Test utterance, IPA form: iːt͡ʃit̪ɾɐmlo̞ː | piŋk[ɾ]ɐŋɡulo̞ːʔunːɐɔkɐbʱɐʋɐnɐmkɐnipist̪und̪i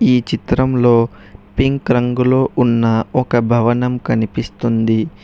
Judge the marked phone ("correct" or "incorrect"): correct